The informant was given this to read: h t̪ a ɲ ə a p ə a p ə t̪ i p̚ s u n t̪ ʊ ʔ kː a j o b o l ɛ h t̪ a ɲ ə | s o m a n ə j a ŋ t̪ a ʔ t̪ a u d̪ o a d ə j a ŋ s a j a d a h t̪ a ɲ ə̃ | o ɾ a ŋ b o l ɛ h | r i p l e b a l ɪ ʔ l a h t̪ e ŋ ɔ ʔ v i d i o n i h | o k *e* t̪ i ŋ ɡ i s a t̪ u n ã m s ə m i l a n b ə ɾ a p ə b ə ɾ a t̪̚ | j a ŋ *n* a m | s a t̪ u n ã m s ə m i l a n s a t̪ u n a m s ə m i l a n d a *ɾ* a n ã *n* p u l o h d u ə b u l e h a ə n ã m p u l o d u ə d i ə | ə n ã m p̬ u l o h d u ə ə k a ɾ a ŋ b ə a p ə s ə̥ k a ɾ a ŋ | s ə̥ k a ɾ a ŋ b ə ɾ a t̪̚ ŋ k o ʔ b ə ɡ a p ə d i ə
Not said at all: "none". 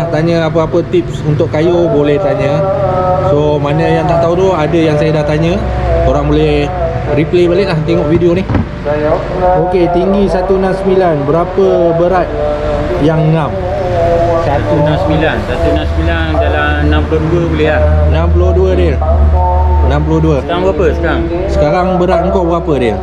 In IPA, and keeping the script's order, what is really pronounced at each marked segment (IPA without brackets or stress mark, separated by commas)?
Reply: e, n, l, m